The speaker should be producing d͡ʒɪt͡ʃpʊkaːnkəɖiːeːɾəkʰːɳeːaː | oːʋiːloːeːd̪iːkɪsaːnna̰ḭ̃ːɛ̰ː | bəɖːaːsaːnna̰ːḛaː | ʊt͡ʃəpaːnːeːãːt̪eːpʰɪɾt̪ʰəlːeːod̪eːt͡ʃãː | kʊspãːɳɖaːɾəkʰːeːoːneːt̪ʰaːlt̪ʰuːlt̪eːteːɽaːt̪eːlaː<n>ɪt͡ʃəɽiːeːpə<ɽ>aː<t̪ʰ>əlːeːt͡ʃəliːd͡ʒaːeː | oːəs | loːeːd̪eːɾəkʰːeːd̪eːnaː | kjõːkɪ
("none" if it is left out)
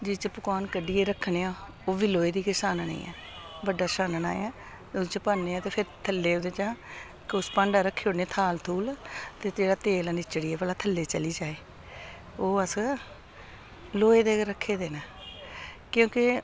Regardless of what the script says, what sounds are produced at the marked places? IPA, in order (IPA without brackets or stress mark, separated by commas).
n, l, t̪ʰ